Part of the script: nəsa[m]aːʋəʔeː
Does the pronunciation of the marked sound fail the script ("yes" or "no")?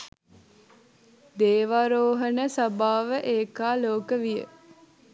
yes